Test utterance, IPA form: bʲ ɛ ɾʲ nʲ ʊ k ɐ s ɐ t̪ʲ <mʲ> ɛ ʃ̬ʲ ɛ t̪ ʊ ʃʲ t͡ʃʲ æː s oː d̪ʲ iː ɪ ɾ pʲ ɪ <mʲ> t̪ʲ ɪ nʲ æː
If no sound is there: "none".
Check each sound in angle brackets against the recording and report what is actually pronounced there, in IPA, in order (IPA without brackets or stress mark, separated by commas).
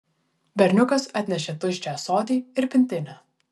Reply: nʲ, nʲ